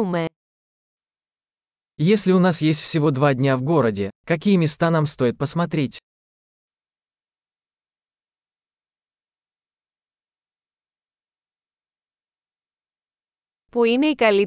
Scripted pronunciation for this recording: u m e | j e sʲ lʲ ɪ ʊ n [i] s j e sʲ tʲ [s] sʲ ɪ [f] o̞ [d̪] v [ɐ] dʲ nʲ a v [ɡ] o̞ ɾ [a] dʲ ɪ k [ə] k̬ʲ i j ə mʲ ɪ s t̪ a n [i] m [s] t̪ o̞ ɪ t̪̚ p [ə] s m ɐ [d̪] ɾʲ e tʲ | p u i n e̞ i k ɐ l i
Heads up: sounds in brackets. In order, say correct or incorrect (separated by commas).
incorrect, incorrect, incorrect, correct, incorrect, correct, incorrect, incorrect, incorrect, correct, correct, incorrect